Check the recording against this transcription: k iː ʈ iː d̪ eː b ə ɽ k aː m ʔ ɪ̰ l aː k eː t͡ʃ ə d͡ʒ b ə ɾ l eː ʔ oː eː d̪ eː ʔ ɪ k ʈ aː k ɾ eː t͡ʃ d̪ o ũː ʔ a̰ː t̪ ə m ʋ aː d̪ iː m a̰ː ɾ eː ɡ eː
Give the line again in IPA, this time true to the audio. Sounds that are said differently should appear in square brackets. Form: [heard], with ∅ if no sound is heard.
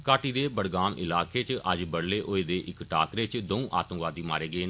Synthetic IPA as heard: k [aː] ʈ iː d̪ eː b ə ɽ [ɡ] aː m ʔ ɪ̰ l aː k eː t͡ʃ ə d͡ʒ b ə [ɽ] l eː ʔ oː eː d̪ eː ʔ ɪ k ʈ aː k ɾ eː t͡ʃ d̪ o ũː ʔ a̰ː t̪ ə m ʋ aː d̪ iː m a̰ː ɾ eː ɡ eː